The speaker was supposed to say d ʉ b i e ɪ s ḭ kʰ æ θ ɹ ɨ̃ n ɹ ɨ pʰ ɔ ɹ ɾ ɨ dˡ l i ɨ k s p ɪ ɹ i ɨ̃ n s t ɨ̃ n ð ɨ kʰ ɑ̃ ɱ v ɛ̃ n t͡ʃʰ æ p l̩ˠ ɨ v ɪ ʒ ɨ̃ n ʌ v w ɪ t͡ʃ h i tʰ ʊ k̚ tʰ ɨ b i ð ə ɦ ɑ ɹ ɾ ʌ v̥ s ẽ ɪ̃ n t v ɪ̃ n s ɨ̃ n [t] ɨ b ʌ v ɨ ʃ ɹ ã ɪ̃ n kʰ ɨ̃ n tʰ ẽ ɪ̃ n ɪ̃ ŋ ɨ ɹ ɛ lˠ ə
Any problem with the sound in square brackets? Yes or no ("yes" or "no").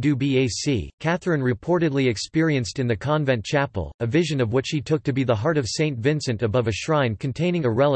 no